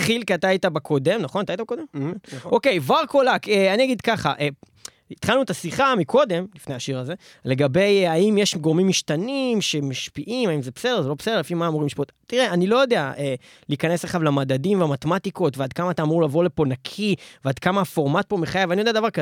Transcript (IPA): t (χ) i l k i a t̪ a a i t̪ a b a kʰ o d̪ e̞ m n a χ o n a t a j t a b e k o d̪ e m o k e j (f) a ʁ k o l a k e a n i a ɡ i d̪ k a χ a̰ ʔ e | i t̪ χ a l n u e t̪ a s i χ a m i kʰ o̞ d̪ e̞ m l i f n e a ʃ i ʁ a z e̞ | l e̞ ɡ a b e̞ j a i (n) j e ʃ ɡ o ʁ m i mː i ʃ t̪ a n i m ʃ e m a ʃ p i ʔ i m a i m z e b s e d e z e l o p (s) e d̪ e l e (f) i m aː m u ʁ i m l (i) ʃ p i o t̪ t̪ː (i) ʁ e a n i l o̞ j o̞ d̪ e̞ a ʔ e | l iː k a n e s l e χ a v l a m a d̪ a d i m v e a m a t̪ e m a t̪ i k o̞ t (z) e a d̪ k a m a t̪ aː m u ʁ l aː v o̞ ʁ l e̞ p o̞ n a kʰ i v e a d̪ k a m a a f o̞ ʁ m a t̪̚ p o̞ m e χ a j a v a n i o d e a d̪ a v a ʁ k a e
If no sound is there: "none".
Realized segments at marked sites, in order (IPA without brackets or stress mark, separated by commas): χ, v, m, s, f, i, i, v